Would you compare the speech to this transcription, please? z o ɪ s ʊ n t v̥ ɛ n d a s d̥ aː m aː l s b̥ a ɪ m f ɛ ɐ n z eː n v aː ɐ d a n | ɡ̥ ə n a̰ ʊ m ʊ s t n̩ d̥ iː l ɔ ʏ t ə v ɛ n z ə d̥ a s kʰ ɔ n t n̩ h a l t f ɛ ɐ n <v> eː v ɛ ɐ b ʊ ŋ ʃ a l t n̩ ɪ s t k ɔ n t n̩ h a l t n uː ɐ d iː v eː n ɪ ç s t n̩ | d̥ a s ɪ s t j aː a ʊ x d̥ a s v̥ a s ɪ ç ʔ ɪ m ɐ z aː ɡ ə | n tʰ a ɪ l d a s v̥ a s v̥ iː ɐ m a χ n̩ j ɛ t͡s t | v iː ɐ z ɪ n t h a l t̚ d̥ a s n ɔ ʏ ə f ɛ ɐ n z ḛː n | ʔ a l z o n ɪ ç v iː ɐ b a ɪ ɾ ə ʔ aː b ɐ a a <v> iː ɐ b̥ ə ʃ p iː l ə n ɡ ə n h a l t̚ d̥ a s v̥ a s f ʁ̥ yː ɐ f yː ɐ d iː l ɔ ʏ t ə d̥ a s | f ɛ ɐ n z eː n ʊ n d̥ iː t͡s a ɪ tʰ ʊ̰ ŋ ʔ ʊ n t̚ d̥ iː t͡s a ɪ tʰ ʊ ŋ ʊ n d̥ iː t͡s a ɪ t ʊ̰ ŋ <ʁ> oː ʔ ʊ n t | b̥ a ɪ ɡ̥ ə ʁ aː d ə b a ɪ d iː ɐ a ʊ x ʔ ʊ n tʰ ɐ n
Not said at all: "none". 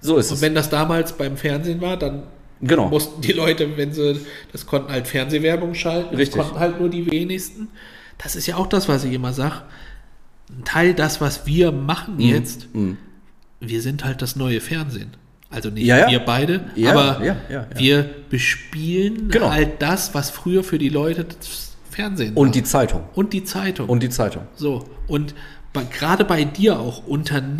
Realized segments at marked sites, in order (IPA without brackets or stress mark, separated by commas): z, v, z